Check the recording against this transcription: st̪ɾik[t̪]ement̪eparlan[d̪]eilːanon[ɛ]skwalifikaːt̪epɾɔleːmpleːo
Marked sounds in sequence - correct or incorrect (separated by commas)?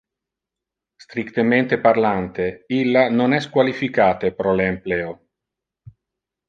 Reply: correct, incorrect, correct